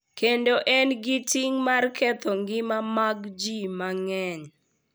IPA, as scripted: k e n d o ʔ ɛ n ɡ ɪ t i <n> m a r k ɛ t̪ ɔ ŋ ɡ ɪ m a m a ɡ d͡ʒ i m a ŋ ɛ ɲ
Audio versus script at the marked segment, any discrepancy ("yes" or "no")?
yes